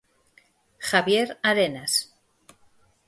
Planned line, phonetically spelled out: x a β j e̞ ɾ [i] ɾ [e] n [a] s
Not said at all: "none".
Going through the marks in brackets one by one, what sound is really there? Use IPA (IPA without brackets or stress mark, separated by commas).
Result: a, e, a